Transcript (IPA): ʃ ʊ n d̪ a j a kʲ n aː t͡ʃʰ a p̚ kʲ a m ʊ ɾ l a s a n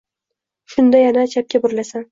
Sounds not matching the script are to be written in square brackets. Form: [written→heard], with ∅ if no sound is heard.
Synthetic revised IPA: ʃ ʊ n d̪ a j a [kʲ→∅] n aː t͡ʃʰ a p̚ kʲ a [m→b] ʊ ɾ l a s a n